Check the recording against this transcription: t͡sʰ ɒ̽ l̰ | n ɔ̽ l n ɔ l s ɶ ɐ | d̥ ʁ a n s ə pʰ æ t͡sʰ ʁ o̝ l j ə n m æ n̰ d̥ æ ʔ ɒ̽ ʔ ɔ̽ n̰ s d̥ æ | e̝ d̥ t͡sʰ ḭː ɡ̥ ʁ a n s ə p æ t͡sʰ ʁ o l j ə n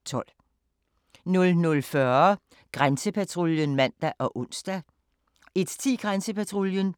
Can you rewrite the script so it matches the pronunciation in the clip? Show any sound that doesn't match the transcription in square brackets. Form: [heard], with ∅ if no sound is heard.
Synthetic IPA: t͡sʰ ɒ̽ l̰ | n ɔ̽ l n ɔ l [f] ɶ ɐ | [ɡ̥] ʁ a n s ə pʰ æ t͡sʰ ʁ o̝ l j ə n m æ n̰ d̥ æ ʔ ɒ̽ ʔ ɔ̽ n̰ s d̥ æ | e̝ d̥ t͡sʰ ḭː ɡ̥ ʁ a n s ə p æ t͡sʰ ʁ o l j ə n

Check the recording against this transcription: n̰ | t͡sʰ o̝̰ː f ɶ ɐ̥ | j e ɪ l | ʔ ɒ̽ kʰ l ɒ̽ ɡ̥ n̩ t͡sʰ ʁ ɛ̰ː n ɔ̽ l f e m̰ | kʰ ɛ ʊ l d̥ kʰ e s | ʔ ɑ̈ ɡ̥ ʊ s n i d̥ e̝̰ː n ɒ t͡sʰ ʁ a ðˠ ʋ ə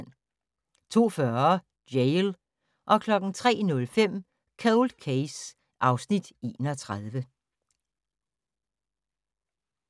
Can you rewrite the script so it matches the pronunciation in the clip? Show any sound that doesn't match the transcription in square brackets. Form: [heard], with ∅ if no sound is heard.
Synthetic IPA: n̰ | t͡sʰ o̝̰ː f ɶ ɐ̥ | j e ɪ l | ʔ ɒ̽ kʰ l ɒ̽ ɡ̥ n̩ t͡sʰ ʁ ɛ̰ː n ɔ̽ l f e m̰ | kʰ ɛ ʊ l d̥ kʰ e s | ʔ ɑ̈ [∅] ʊ s n i d̥ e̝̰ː n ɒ t͡sʰ ʁ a ðˠ ʋ ə

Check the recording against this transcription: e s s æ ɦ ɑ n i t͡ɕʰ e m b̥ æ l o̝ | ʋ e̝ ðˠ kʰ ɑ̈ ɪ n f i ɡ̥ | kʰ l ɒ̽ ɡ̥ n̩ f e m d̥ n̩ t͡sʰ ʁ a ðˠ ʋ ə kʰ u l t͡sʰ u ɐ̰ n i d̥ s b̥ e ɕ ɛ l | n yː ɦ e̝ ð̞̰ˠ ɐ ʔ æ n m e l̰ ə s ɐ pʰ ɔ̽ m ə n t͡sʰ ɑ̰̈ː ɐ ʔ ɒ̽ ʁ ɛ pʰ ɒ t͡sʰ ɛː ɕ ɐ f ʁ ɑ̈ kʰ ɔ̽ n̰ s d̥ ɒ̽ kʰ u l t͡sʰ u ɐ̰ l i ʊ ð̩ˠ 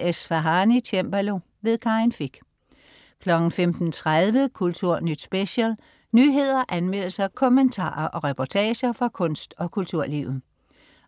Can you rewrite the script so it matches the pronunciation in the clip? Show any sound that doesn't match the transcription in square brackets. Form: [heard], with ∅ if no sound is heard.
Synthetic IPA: e s [f] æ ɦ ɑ n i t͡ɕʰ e m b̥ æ l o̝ | ʋ e̝ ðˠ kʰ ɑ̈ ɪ n f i ɡ̥ | kʰ l ɒ̽ ɡ̥ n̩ f e m d̥ n̩ t͡sʰ ʁ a ðˠ ʋ ə kʰ u l t͡sʰ u ɐ̰ n [y] d̥ s b̥ e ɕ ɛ l | n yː ɦ e̝ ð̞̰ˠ ɐ ʔ æ n m e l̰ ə s ɐ [kʰ] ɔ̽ m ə n t͡sʰ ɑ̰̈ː ɐ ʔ ɒ̽ ʁ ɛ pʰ ɒ t͡sʰ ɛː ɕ ɐ f ʁ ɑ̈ kʰ ɔ̽ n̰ s d̥ ɒ̽ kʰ u l t͡sʰ u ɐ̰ l i ʊ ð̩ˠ

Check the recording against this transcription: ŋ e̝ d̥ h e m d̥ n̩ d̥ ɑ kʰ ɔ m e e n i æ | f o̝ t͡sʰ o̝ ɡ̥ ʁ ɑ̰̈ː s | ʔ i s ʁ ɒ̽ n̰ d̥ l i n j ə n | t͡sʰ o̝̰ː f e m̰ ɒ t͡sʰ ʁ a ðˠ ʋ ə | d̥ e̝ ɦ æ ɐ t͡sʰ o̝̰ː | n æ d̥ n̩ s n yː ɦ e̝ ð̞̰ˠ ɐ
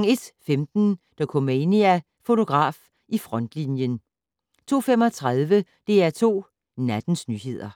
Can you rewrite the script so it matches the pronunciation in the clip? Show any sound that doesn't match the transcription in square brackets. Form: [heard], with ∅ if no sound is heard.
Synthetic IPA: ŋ e̝ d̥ [f] e m d̥ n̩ d̥ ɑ kʰ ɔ m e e n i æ | f o̝ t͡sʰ o̝ ɡ̥ ʁ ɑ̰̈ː [f] | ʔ i [f] ʁ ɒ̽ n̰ d̥ l i n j ə n | t͡sʰ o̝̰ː f e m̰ ɒ t͡sʰ ʁ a ðˠ ʋ ə | d̥ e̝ [∅] æ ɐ t͡sʰ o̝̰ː | n æ d̥ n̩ s n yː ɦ e̝ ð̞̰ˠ ɐ

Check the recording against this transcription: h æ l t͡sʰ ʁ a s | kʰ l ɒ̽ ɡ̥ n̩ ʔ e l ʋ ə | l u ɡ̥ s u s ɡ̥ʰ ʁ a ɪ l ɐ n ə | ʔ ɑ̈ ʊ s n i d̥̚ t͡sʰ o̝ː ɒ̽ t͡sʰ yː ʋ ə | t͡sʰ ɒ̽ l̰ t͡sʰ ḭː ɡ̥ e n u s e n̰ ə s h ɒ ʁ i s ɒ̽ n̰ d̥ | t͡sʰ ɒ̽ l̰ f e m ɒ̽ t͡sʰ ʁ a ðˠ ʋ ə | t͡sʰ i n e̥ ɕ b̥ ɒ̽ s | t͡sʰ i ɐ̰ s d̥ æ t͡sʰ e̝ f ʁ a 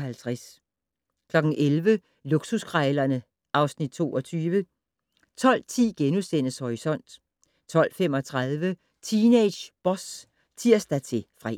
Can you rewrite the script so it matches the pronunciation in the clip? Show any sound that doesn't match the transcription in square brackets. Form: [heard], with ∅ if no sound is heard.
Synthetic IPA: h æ l t͡sʰ ʁ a s | kʰ l ɒ̽ ɡ̥ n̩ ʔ e l ʋ ə | l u ɡ̥ s u s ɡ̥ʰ ʁ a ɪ l ɐ n ə | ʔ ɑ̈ ʊ s n i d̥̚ t͡sʰ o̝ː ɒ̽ t͡sʰ yː ʋ ə | t͡sʰ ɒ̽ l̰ t͡sʰ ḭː ɡ̥ e n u s e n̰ ə s h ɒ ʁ i s ɒ̽ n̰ d̥ | t͡sʰ ɒ̽ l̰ f e m ɒ̽ t͡sʰ ʁ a ðˠ ʋ ə | t͡sʰ i n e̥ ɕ b̥ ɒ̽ s | t͡sʰ i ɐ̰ s d̥ æ t͡sʰ e̝ f ʁ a

